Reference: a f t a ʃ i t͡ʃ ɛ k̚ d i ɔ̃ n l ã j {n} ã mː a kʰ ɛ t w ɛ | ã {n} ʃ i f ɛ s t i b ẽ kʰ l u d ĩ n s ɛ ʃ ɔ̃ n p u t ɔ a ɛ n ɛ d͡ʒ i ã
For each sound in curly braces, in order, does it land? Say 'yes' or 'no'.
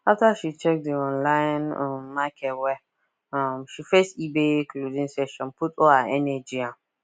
yes, no

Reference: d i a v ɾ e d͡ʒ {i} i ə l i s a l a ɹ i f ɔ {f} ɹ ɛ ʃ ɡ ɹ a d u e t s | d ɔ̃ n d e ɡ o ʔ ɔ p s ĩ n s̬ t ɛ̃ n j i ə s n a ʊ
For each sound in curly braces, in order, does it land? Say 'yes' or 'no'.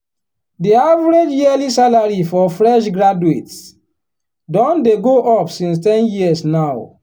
no, yes

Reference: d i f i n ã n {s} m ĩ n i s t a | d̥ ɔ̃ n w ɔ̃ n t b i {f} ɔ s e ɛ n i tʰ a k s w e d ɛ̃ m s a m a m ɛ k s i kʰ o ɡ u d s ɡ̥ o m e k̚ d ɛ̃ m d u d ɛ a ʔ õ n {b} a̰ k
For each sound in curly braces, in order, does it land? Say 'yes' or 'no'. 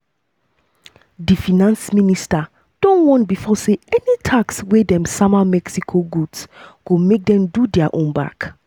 yes, yes, yes

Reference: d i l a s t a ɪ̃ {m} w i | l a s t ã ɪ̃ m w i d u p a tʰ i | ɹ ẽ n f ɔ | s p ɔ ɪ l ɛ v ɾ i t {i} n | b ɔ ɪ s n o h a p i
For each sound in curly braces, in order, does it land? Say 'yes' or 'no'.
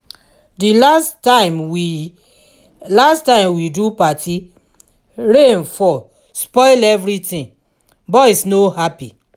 yes, no

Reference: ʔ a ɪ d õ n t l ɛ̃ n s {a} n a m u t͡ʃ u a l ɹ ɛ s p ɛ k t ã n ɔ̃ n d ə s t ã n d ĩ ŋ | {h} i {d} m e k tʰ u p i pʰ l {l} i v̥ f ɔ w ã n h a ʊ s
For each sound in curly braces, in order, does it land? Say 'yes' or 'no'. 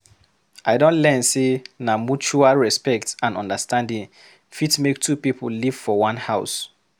no, no, no, yes

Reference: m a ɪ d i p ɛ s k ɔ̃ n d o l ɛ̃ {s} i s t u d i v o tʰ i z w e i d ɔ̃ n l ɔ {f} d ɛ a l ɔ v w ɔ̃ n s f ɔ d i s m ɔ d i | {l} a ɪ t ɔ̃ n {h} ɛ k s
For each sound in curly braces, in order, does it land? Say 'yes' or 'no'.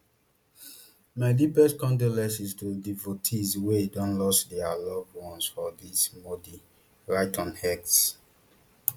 yes, no, no, yes

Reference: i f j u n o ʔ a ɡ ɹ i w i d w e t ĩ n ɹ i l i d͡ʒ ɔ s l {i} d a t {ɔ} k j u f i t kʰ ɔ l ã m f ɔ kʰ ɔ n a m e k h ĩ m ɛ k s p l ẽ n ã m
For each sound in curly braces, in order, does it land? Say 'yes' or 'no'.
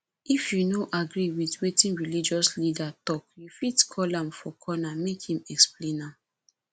yes, yes

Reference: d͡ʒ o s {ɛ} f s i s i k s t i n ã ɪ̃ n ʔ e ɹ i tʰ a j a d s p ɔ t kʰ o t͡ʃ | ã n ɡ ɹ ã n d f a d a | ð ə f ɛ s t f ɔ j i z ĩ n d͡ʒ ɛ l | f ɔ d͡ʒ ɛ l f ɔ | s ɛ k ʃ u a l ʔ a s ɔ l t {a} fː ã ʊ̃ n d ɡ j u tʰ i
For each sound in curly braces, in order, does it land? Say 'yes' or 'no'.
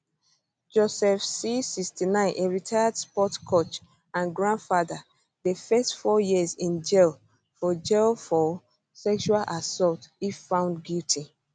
yes, no

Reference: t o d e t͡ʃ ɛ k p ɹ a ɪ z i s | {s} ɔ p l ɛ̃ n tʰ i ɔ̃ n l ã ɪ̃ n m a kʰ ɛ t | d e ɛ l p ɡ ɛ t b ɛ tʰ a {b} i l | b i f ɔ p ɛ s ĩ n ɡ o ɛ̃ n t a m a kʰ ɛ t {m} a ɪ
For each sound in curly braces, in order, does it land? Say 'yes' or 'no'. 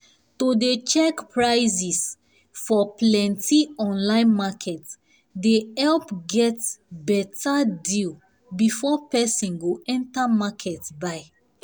no, no, no

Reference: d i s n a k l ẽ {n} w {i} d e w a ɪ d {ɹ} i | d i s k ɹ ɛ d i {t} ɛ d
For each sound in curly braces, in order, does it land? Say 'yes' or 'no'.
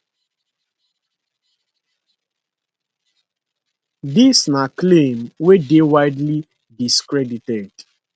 no, no, no, yes

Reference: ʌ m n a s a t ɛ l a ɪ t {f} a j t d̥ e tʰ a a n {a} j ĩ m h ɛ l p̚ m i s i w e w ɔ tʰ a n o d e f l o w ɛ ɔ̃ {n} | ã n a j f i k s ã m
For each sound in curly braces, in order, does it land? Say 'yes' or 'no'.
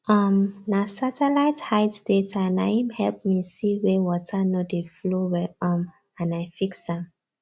no, yes, no

